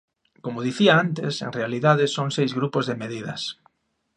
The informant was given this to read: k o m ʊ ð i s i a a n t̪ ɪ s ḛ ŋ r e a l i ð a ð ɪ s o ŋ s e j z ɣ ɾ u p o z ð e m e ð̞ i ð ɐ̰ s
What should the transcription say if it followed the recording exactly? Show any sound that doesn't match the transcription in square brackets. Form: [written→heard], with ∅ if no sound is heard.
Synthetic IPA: k o m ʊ ð i [s→θ] i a a n t̪ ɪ s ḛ ŋ r e a l i ð a ð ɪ s o ŋ s e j z ɣ ɾ u p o z ð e m e ð̞ i ð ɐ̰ s